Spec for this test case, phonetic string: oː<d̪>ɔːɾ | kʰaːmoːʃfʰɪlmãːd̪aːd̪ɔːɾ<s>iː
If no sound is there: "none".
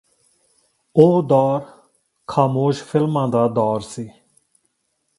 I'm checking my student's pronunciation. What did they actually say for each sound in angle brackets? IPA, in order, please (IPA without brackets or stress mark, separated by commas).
d̪, s